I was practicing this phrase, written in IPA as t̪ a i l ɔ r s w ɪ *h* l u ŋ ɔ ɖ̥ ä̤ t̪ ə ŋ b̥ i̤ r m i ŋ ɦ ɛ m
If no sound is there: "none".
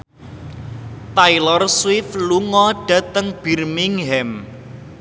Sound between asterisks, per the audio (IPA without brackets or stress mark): f